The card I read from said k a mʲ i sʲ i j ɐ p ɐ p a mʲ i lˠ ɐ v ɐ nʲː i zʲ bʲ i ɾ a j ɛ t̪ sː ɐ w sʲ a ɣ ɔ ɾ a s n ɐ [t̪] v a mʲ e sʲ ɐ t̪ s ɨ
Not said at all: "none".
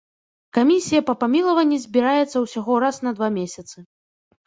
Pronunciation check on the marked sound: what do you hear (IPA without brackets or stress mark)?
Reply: d̪